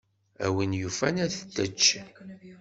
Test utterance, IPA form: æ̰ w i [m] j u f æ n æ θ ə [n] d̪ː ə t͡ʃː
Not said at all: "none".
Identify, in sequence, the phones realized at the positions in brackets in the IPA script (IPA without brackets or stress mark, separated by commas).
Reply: n, none